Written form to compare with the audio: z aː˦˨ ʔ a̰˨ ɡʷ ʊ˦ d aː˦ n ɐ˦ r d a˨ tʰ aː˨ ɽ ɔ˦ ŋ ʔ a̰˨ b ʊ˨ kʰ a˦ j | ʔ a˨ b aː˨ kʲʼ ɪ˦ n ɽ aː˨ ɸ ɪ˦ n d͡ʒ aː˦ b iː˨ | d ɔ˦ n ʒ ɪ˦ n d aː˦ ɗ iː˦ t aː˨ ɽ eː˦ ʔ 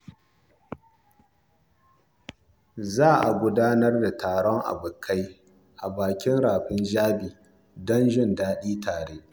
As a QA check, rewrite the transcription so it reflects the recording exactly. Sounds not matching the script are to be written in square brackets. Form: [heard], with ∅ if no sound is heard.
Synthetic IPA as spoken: z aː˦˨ ʔ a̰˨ ɡʷ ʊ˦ d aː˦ n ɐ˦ r d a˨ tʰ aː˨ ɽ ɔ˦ ŋ ʔ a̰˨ b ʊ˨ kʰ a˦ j | ʔ a˨ b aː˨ [kʲ] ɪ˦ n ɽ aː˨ ɸ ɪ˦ n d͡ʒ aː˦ b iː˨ | d ɔ˦ n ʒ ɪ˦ n d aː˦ ɗ iː˦ t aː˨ ɽ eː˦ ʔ